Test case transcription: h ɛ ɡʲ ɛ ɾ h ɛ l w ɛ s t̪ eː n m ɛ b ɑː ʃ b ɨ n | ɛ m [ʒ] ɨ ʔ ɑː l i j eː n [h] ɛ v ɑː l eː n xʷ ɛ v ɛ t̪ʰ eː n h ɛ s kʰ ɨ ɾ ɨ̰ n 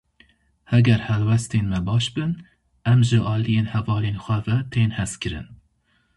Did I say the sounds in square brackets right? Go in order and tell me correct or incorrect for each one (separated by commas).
correct, correct